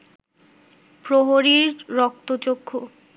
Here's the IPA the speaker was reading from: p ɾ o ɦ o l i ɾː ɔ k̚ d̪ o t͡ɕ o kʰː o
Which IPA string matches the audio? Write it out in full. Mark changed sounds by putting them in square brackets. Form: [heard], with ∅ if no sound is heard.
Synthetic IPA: p ɾ o ɦ o [ɾ] i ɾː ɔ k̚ [t̪] o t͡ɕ o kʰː o